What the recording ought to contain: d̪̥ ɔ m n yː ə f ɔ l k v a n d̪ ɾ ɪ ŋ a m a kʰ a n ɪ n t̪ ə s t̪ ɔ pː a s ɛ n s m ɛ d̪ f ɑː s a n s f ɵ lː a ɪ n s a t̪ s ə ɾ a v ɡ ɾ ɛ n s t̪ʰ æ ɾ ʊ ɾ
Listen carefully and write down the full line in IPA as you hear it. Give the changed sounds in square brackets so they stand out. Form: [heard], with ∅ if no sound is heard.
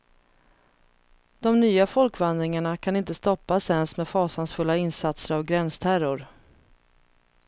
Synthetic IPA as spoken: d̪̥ ɔ m n yː [a] f ɔ l k v a n d̪ ɾ ɪ ŋ a [ɳ] a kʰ a n ɪ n t̪ ə s t̪ ɔ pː a s ɛ n s m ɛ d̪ f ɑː s a n s f ɵ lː a ɪ n s a t̪ s ə ɾ a v ɡ ɾ ɛ n s t̪ʰ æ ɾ ʊ ɾ